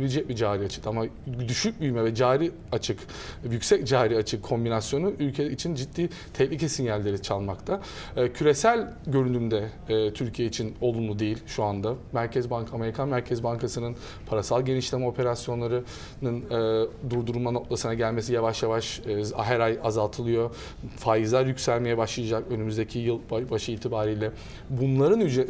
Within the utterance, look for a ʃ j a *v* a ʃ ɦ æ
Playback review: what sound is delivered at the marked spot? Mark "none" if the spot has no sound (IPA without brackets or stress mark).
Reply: v